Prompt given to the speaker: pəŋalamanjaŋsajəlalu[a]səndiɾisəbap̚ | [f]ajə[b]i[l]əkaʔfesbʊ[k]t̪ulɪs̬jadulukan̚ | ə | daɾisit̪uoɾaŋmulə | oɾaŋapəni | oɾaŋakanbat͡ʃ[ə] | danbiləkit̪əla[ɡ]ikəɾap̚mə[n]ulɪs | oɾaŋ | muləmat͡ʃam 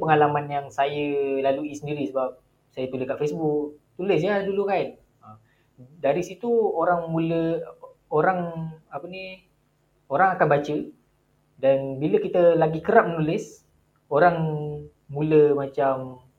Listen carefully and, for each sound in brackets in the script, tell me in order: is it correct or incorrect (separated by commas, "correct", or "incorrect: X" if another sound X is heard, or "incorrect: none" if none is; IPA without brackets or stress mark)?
incorrect: i, incorrect: s, incorrect: p, correct, correct, correct, correct, correct